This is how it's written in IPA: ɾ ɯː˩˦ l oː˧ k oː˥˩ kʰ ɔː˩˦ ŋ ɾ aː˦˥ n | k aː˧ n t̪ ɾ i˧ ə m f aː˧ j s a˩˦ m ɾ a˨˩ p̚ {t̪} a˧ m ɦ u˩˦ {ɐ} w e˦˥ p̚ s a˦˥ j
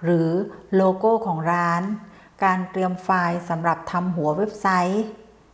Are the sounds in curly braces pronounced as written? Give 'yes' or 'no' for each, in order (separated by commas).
no, yes